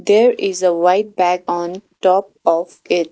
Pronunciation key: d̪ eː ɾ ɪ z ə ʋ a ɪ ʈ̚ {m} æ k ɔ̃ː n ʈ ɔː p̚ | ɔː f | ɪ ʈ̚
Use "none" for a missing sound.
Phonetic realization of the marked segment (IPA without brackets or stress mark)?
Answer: b